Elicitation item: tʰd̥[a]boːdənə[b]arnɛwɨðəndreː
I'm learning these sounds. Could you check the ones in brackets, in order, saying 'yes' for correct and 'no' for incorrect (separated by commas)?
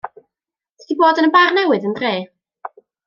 no, yes